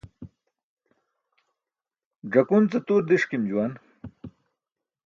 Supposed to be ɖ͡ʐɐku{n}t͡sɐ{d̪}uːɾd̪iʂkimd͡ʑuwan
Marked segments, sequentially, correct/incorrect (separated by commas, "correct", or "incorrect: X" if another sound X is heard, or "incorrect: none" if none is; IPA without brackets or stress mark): correct, incorrect: t̪